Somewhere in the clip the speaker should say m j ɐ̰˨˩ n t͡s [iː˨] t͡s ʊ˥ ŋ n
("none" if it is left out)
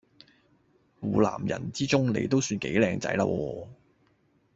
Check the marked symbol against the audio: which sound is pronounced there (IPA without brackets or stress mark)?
iː˥